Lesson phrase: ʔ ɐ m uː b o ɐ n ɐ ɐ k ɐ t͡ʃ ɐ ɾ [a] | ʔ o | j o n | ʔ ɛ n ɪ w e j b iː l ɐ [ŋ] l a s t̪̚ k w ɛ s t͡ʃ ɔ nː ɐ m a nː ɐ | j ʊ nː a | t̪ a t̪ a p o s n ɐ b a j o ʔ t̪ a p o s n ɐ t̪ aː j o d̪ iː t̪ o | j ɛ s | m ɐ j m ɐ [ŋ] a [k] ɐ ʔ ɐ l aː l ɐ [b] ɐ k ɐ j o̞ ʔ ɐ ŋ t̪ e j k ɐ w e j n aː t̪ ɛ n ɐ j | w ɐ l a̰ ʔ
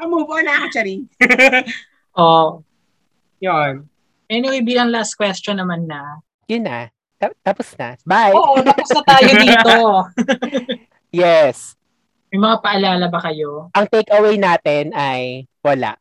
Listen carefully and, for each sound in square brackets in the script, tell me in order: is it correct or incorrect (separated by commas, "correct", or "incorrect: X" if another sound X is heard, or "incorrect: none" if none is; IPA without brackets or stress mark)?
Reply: incorrect: i, correct, correct, incorrect: p, correct